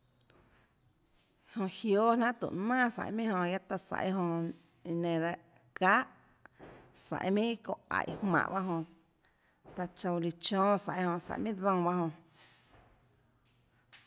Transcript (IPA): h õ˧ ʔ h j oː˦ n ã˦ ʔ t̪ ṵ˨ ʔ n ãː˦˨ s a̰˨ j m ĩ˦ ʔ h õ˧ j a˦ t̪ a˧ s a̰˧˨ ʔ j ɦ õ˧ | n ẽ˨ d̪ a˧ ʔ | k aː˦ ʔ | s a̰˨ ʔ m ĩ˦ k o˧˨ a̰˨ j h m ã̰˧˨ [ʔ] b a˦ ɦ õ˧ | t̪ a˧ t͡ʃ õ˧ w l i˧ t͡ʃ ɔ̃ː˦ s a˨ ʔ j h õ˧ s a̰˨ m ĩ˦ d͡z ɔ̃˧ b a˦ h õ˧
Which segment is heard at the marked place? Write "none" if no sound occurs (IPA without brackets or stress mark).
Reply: ʔ